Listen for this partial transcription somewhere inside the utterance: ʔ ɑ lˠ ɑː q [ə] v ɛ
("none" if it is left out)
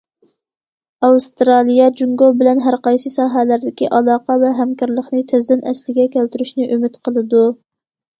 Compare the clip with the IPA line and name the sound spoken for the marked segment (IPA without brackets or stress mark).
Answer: ɑ